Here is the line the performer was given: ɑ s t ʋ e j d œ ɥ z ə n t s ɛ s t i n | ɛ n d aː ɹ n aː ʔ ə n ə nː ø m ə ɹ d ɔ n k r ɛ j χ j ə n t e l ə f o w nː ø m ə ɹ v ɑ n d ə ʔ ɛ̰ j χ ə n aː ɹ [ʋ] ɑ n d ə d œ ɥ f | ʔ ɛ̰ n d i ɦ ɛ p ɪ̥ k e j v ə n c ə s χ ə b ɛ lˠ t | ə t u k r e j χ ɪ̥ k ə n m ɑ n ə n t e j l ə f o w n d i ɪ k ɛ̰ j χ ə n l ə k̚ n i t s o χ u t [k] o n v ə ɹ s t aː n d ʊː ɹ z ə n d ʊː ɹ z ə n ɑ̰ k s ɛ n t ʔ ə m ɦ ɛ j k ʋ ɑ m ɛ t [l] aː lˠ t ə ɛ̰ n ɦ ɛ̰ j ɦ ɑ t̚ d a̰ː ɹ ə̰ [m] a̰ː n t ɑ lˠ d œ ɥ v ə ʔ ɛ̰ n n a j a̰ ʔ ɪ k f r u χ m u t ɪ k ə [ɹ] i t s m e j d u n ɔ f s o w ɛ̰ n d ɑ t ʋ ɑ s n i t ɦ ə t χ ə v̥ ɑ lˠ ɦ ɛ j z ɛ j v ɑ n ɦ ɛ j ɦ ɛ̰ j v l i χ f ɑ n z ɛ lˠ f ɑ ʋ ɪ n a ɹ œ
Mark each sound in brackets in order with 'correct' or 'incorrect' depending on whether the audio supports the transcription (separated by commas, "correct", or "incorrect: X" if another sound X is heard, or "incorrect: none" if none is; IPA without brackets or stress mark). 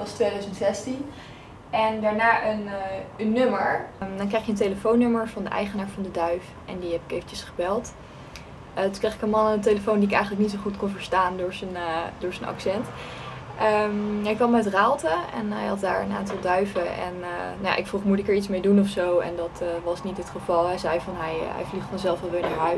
incorrect: v, correct, incorrect: r, incorrect: n, correct